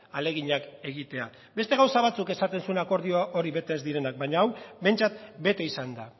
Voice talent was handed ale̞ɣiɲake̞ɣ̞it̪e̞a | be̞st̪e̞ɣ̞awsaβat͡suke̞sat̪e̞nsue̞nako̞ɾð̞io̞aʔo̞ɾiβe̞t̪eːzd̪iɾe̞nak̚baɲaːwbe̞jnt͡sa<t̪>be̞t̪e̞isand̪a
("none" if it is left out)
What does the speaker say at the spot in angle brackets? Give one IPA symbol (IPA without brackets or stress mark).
t̪